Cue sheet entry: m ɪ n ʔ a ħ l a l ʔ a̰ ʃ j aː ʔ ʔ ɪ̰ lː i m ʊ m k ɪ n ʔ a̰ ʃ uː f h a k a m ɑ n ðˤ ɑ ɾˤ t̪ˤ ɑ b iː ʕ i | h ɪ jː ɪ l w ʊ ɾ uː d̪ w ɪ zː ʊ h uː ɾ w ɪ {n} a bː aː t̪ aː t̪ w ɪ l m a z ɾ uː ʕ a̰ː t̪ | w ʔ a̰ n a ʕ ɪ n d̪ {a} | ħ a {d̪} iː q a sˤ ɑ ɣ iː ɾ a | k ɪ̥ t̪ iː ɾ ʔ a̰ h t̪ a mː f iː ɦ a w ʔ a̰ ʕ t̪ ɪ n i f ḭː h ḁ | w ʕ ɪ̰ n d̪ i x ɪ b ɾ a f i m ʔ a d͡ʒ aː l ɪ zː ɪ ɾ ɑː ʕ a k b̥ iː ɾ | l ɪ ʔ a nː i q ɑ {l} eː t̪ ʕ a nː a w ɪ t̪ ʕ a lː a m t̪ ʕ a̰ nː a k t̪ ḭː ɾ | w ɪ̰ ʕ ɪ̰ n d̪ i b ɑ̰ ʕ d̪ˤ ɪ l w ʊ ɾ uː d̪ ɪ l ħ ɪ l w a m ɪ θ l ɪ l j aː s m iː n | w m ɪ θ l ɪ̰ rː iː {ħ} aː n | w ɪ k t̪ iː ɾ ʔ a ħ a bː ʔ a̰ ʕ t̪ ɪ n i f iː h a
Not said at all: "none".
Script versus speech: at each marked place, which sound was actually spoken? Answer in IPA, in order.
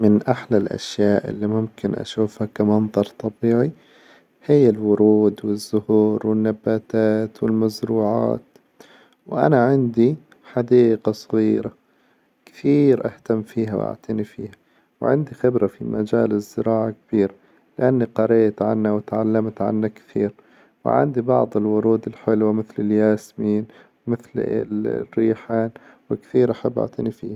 nː, i, d̪, ɾ, ħ

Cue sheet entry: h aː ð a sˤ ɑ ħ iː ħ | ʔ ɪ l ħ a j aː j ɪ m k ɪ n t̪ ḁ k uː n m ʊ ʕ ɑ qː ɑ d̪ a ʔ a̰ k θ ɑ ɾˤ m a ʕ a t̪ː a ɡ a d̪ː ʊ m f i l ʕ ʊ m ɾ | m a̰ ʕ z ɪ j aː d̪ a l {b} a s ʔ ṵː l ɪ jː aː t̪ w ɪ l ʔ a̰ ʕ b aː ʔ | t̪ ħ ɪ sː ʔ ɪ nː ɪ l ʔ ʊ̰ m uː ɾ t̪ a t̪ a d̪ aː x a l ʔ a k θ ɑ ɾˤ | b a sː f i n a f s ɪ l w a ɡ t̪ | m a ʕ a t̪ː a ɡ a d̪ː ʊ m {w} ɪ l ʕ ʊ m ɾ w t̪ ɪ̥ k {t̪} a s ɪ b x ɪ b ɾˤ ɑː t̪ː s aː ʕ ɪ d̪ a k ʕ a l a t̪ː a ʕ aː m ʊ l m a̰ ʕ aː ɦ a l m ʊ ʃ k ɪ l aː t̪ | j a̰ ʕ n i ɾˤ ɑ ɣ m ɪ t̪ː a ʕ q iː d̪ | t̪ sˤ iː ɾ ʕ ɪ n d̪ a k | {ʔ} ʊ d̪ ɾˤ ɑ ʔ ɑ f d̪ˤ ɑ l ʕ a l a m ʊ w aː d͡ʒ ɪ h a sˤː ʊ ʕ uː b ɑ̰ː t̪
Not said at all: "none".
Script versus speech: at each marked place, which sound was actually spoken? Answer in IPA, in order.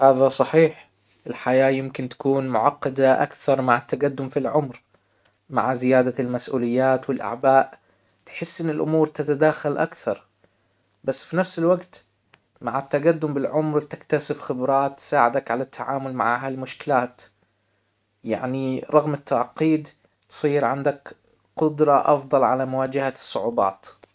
m, b, t̪, q

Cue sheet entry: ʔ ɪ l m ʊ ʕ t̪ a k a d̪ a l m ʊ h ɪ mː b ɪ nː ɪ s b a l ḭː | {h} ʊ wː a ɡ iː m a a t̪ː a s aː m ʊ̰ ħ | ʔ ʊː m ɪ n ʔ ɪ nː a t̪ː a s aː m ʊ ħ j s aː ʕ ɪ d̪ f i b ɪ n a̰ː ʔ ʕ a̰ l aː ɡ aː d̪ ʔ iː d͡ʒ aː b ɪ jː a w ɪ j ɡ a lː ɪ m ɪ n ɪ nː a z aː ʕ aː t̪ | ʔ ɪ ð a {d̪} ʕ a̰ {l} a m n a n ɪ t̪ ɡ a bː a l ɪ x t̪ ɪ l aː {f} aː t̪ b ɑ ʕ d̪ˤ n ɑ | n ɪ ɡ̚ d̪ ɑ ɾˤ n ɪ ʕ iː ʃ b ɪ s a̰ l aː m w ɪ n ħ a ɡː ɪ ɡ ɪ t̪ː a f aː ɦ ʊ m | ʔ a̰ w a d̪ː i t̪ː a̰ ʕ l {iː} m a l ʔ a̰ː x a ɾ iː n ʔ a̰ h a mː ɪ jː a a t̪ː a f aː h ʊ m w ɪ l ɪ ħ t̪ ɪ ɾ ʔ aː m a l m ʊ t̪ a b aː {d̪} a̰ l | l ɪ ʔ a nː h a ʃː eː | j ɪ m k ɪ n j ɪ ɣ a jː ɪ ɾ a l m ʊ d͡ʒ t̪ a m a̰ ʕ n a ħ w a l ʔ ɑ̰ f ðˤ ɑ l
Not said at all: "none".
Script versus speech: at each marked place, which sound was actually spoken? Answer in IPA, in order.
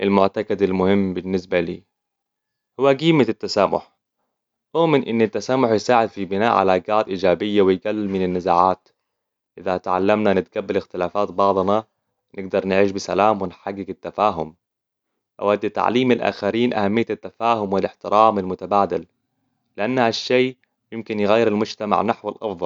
h, t̪, lː, f, iː, d̪

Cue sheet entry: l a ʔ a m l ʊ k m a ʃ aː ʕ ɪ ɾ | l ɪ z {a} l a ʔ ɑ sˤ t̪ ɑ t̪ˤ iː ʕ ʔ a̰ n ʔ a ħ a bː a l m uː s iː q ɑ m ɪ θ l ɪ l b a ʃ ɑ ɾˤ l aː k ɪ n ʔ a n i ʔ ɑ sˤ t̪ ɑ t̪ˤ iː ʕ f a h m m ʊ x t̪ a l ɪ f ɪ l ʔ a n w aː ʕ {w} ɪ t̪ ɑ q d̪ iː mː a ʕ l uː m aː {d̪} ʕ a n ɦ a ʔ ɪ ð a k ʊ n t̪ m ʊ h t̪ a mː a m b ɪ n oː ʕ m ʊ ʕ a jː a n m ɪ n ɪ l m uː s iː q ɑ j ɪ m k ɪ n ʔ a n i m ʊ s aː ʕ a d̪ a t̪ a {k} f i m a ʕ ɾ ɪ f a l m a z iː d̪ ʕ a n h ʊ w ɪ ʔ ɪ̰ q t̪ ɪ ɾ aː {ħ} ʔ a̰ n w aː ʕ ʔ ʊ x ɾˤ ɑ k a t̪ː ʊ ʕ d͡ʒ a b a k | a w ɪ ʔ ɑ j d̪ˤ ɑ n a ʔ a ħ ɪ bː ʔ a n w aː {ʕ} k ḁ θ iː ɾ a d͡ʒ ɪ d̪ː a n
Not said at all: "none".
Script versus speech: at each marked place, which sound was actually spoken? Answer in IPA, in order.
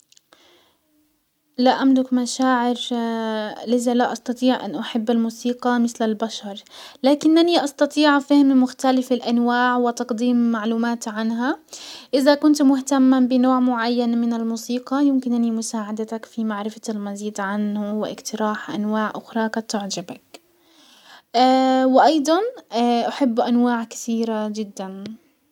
a, w, t̪, k, ħ, ʕ

